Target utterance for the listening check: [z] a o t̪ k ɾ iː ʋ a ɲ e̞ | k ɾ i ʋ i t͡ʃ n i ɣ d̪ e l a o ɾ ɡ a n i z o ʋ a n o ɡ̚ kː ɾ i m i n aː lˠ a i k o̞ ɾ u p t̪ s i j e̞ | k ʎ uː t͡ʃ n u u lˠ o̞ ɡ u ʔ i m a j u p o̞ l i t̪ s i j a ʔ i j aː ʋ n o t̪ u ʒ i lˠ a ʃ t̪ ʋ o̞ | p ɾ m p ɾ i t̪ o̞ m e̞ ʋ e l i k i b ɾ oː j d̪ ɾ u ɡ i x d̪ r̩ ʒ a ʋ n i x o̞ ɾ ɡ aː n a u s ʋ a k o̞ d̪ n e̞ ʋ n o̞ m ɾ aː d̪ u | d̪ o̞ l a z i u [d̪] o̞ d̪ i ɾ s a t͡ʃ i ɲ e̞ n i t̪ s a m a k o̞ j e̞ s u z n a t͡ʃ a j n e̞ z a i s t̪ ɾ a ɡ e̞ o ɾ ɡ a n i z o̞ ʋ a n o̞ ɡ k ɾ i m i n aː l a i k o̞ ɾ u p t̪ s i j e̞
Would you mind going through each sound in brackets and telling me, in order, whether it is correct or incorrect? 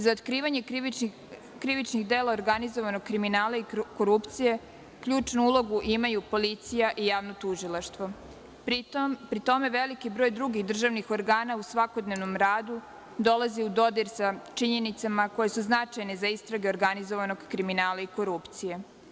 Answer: correct, correct

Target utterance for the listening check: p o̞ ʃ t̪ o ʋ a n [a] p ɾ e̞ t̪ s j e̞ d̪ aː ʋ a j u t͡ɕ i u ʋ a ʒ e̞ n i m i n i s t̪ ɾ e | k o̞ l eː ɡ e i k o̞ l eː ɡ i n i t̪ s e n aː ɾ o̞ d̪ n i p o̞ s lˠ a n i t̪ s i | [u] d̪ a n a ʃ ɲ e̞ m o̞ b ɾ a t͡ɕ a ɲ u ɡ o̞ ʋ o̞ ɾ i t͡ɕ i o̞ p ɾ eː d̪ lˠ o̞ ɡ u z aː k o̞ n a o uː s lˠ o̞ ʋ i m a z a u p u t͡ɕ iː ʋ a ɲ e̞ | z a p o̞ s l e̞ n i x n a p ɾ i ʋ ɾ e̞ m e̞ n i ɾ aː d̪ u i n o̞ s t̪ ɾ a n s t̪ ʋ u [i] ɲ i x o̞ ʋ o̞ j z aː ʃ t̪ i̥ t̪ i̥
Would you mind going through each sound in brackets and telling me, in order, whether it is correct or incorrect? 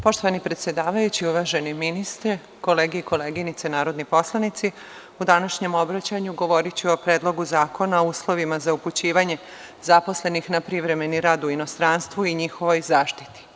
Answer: incorrect: i, correct, correct

